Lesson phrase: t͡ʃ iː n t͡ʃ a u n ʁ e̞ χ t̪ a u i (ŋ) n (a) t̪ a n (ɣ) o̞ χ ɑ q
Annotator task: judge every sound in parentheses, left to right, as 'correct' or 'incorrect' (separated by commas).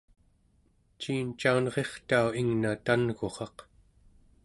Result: correct, correct, correct